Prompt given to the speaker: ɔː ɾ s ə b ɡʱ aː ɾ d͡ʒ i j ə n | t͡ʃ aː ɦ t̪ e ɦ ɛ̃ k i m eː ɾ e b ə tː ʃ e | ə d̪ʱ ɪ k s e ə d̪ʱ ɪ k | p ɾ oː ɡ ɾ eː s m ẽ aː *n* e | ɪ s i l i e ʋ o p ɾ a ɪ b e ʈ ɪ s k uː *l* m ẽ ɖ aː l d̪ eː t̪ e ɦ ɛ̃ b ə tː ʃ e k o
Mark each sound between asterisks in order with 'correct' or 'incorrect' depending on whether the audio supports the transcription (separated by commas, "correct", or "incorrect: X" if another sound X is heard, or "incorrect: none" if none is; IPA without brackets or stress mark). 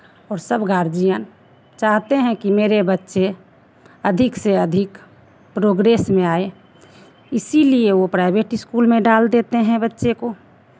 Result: incorrect: none, correct